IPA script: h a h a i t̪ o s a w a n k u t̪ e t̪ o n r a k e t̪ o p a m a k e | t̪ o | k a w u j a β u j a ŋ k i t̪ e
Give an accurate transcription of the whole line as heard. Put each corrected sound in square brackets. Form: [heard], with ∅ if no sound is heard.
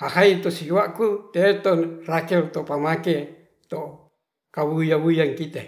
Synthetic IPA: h a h a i t̪ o s [i] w a [∅] k u t̪ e t̪ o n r a k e t̪ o p a m a k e | t̪ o | k a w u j a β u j a ŋ k i t̪ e

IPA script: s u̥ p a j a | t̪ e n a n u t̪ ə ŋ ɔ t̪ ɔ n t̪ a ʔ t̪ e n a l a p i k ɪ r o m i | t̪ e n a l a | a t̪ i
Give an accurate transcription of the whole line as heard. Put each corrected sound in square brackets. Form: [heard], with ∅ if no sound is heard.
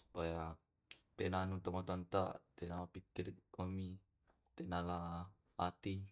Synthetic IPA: s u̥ p a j a | t̪ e n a n u t̪ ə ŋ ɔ t̪ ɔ n t̪ a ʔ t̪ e n a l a p i k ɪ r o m i | t̪ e n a l a | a t̪ i

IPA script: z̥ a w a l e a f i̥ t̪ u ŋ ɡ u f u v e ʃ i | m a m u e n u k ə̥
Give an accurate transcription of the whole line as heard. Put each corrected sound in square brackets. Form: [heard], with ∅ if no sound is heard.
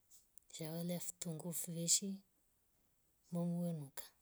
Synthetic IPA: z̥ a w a l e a f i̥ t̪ u ŋ ɡ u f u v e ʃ i | m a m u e n u k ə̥

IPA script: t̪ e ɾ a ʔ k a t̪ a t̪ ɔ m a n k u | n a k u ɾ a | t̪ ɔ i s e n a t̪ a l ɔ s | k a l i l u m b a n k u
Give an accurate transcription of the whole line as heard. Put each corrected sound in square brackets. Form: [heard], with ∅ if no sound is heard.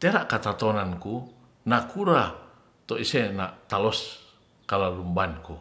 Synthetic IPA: t̪ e ɾ a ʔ k a t̪ a t̪ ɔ [n] a n k u | n a k u ɾ a | t̪ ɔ i s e n a t̪ a l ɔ s | k a l [a] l u m b a n k u

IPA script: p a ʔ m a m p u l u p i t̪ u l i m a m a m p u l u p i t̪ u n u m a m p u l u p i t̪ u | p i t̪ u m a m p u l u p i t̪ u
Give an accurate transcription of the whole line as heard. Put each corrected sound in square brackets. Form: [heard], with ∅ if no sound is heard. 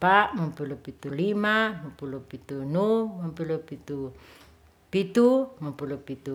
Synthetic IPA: p a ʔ m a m p u l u p i t̪ u l i m a m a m p u l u p i t̪ u n u m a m p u l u p i t̪ u | p i t̪ u m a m p u l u p i t̪ u

